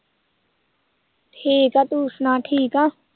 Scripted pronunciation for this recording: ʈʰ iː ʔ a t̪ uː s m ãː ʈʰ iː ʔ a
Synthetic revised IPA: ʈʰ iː k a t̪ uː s n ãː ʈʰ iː k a